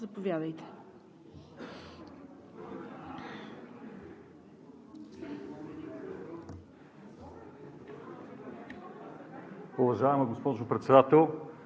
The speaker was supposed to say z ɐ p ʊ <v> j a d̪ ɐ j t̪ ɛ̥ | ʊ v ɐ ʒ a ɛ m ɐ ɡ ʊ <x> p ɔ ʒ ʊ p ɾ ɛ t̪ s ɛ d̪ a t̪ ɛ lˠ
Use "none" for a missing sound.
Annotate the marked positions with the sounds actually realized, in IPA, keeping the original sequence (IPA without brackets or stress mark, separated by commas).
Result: v, s